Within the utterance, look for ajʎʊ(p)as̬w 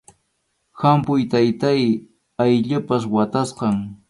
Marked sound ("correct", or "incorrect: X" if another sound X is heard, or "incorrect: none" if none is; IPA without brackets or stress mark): correct